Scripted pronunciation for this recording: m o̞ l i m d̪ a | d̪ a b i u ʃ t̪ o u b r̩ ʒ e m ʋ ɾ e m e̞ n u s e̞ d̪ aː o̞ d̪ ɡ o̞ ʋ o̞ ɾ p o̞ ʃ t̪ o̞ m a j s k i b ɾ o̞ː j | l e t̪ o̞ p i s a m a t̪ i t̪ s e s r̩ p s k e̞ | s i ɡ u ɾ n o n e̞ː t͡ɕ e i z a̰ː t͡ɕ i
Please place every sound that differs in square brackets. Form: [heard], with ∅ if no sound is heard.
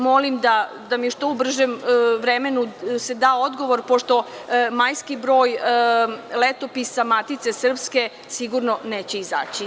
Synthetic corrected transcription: m o̞ l i m d̪ a | d̪ a [m] i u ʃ t̪ o u b r̩ ʒ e m ʋ ɾ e m e̞ n u s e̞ d̪ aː o̞ d̪ ɡ o̞ ʋ o̞ ɾ p o̞ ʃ t̪ o̞ m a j s k i b ɾ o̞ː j | l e t̪ o̞ p i s a m a t̪ i t̪ s e s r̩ p s k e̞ | s i ɡ u ɾ n o n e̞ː t͡ɕ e i z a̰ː t͡ɕ i